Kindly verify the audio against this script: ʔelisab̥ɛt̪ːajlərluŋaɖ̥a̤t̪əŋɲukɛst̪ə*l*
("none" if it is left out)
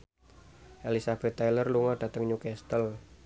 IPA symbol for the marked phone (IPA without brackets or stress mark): l